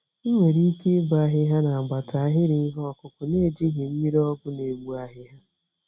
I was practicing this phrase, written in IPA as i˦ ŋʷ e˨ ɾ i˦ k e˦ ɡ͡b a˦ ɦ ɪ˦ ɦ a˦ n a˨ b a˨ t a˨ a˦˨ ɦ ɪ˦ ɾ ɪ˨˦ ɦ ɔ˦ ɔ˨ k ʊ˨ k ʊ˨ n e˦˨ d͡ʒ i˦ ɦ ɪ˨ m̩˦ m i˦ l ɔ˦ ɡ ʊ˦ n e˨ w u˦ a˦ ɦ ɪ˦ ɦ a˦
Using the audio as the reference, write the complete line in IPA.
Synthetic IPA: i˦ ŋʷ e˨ ɾ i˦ k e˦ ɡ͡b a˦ ɦ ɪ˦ ɦ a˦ n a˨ ɡ͡b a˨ t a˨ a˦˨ ɦ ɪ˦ ɾ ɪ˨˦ ɦ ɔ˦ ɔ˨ k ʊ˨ k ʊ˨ n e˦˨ d͡ʒ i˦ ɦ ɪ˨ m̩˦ m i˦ ɾ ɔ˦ ɡ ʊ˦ n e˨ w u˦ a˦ ɦ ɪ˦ ɦ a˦